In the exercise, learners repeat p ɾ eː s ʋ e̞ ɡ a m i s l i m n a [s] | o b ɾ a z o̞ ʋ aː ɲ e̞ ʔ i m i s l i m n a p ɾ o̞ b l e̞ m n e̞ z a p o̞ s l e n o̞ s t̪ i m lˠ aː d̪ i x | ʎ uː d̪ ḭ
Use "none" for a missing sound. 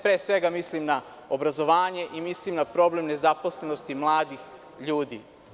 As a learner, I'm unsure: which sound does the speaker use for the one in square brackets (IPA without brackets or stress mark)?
none